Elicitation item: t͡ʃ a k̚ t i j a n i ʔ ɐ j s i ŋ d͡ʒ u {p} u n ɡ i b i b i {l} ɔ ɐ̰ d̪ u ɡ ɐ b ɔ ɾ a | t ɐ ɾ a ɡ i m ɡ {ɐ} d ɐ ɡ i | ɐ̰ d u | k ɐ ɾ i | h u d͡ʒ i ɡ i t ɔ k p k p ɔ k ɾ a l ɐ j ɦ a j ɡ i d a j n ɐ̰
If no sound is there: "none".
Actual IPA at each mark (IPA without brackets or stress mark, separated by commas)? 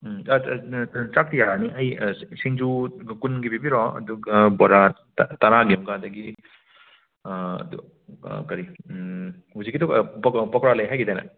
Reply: k, ɾ, a